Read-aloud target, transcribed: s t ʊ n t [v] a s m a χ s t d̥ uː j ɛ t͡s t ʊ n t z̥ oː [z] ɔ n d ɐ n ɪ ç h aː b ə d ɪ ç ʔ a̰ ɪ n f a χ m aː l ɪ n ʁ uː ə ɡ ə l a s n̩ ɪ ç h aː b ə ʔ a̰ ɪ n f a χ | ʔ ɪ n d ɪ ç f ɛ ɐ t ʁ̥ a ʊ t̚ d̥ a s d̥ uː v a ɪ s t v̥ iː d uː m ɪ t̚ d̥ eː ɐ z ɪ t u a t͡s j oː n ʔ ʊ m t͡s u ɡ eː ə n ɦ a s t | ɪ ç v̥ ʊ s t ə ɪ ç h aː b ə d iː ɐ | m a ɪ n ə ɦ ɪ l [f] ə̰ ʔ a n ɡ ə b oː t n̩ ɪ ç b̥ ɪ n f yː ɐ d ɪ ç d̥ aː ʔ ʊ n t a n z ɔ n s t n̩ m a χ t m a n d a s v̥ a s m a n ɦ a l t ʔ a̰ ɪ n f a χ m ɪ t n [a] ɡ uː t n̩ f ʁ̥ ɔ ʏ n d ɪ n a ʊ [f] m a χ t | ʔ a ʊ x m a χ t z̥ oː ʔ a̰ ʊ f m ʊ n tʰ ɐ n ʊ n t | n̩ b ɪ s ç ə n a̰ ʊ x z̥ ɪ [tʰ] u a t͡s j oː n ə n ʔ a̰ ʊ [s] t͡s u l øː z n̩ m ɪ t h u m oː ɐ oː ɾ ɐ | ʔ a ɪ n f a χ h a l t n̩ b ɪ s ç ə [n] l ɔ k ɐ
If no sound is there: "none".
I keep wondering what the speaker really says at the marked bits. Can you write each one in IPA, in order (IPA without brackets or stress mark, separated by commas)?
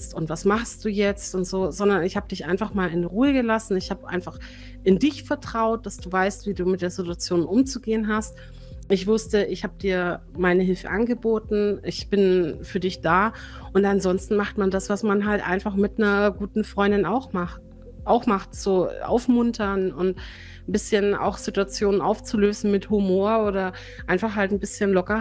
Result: v, z, f, ɐ, x, t, f, n